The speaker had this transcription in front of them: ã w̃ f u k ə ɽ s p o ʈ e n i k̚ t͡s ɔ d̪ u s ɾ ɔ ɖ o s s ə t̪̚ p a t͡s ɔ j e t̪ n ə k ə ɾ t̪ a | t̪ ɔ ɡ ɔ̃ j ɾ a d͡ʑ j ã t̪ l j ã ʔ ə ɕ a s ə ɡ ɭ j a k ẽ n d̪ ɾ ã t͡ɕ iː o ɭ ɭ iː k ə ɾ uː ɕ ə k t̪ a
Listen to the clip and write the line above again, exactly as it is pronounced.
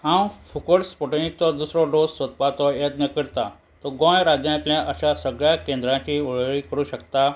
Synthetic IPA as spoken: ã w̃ f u k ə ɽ s p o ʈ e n i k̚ t͡s ɔ d̪ u s ɾ ɔ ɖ o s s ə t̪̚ p a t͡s ɔ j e t̪ n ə k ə ɾ t̪ a | t̪ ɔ ɡ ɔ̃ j ɾ a d͡ʑ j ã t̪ l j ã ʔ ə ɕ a s ə ɡ ɭ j a k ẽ n d̪ ɾ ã t͡ɕ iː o ɭ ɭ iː k ə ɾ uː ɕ ə k t̪ a